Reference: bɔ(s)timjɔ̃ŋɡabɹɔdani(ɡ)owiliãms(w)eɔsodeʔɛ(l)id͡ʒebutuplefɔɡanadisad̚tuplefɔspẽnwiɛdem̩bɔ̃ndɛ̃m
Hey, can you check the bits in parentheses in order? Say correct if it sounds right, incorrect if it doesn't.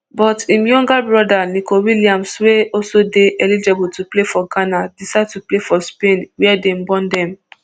incorrect, incorrect, correct, correct

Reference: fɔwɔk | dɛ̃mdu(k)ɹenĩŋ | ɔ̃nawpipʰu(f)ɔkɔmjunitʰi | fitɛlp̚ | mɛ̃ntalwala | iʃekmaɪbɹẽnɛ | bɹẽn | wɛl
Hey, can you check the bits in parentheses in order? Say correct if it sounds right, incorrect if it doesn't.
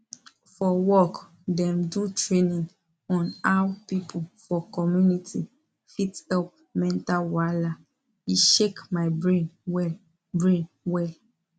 incorrect, correct

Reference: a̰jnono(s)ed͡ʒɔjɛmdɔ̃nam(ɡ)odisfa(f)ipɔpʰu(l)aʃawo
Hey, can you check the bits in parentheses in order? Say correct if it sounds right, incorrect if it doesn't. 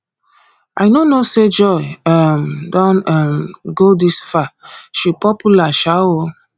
correct, correct, incorrect, correct

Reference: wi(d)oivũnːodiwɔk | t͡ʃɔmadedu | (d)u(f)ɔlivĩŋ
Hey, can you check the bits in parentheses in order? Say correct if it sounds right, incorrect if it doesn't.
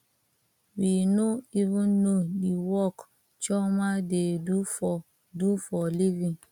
incorrect, correct, correct

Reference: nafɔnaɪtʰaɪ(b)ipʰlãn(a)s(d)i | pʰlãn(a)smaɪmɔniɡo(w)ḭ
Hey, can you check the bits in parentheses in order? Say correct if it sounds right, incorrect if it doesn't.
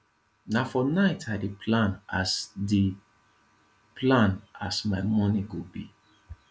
incorrect, correct, correct, correct, incorrect

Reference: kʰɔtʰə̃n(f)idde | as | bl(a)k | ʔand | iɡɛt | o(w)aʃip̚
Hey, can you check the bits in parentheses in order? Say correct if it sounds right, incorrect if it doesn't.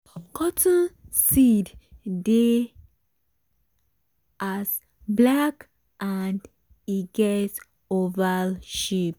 incorrect, correct, incorrect

